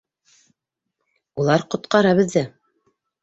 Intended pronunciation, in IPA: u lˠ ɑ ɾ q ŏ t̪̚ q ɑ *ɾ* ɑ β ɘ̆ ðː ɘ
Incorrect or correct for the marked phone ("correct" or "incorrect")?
correct